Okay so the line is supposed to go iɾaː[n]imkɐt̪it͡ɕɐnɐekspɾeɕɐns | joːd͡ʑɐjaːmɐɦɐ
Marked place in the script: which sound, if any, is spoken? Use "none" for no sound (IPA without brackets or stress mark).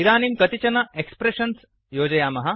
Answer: n